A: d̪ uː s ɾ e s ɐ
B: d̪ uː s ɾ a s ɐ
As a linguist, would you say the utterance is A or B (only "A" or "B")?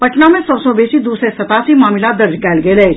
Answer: A